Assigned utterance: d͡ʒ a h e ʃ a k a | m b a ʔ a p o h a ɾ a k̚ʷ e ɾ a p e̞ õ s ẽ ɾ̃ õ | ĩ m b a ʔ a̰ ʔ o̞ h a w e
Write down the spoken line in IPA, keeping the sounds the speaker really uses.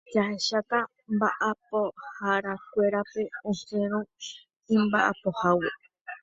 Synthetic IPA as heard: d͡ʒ a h e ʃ a k a | m b a ʔ a p o h a ɾ a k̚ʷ e ɾ a p e̞ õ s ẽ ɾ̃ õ | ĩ m b a ʔ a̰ p o̞ h a w e